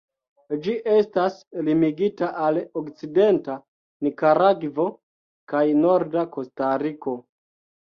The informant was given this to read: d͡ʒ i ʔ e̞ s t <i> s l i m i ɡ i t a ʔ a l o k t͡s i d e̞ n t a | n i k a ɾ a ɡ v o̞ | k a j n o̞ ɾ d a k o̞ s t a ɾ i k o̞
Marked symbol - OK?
no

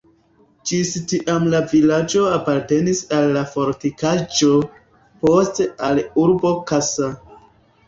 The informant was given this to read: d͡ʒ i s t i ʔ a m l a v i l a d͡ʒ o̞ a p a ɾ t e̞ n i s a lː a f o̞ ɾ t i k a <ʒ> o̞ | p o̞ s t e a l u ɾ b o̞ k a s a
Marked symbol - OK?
no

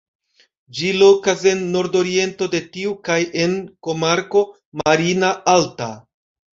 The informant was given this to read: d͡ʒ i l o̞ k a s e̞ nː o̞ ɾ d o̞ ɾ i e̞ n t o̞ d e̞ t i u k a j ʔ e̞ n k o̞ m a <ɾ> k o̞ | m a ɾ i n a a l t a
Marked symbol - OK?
yes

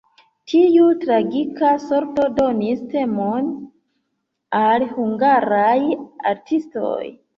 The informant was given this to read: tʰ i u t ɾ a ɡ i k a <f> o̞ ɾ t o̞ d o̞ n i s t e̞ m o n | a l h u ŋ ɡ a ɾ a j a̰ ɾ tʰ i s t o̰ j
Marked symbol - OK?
no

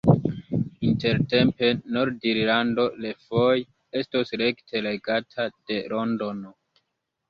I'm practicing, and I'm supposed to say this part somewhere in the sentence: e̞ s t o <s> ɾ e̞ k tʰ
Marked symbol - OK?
yes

